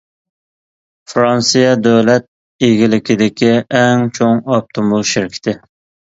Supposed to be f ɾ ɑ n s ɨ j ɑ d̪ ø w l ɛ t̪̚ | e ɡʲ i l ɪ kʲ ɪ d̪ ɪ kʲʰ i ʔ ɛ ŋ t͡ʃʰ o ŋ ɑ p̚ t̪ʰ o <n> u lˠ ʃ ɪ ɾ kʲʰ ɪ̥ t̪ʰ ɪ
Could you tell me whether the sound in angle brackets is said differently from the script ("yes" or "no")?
yes